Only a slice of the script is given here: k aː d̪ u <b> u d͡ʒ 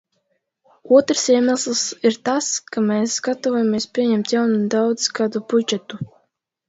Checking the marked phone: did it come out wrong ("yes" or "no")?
no